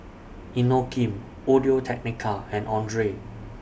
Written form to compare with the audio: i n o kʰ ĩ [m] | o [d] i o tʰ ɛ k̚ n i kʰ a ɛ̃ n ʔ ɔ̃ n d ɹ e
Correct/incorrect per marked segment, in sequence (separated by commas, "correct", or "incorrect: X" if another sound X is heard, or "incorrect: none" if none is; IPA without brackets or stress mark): correct, correct